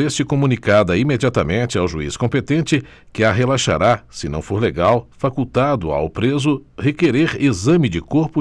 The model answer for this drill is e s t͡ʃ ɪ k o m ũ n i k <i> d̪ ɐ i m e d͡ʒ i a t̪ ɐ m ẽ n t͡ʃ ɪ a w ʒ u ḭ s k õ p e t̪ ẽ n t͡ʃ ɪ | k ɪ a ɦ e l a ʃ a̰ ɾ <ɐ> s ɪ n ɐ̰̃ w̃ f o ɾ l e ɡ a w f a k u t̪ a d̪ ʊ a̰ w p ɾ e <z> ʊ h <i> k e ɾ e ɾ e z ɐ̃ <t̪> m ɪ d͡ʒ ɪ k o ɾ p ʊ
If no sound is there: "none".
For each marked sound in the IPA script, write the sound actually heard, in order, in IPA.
a, a, z, e, none

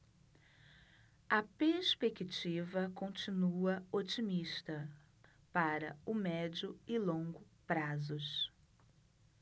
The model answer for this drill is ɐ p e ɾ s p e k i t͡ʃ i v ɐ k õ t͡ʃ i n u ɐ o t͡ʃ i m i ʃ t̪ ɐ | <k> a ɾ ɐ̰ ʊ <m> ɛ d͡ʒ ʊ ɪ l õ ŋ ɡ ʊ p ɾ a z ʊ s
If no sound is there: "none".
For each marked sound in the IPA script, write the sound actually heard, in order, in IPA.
p, m

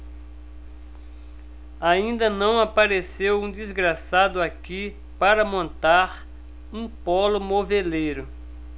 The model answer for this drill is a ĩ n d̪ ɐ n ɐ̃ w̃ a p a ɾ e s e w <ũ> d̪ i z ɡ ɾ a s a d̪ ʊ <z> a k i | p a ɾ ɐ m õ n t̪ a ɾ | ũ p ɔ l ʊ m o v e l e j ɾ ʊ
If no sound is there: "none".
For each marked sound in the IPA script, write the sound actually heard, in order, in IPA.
ũ, none

